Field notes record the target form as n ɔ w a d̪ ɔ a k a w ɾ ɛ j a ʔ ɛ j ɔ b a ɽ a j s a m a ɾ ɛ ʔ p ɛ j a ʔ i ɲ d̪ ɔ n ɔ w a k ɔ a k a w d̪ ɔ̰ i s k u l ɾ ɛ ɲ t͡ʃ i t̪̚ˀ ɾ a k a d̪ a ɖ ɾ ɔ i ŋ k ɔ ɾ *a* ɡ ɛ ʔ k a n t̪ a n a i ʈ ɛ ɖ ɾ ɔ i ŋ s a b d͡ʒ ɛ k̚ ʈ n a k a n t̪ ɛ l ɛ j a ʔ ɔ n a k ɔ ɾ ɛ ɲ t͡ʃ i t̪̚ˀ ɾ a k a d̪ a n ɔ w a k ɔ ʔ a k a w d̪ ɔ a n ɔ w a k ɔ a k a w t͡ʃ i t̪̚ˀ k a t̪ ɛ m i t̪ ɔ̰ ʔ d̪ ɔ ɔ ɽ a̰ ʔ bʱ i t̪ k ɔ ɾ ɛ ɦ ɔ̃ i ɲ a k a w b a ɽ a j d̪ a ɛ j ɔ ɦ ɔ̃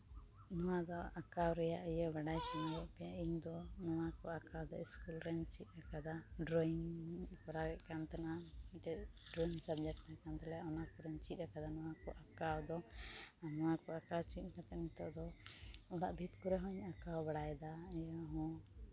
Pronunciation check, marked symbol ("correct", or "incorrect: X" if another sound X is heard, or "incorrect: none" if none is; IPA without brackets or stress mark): correct